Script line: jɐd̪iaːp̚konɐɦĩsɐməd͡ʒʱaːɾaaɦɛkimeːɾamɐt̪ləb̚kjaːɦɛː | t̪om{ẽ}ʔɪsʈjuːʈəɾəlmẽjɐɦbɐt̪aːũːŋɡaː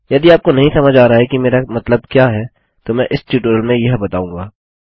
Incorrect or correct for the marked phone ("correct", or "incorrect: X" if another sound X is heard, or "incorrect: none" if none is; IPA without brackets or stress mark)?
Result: incorrect: ɛ̃